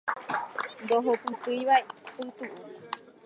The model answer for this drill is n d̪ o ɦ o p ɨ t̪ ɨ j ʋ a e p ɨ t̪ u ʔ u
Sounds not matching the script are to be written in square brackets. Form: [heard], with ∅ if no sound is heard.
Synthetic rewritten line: n d̪ o ɦ o p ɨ t̪ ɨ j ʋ a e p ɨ t̪ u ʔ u